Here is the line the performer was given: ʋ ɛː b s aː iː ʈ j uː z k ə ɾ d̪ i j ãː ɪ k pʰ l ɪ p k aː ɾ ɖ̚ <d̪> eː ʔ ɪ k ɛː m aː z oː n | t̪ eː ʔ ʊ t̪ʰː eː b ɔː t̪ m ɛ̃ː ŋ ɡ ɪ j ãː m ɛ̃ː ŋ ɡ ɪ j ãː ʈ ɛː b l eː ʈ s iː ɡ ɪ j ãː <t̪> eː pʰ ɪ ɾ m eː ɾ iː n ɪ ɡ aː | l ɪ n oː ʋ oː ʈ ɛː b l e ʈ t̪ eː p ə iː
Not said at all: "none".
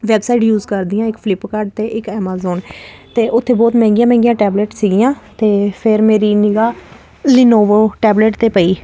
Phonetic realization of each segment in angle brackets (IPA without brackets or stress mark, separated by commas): t̪, t̪